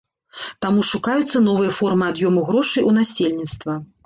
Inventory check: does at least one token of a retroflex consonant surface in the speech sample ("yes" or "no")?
yes